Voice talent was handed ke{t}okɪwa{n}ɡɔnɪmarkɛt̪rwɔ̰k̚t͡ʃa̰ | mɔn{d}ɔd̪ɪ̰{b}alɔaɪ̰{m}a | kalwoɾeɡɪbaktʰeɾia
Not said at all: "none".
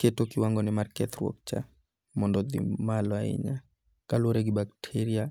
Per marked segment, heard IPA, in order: t, ŋ, d, m, ɲ

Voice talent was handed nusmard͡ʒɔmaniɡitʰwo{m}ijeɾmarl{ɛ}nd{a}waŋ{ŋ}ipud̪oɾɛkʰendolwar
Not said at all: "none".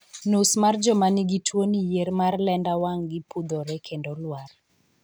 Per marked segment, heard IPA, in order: n, ɛ, a, ɡ

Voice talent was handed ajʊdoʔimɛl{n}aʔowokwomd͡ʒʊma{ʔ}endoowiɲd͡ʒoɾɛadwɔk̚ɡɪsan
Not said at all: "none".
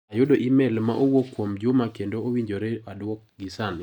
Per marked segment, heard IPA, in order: m, k

